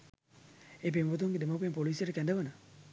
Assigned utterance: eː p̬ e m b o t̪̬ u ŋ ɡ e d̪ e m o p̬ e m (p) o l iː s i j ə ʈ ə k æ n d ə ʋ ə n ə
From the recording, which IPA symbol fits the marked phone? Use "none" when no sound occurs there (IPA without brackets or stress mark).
p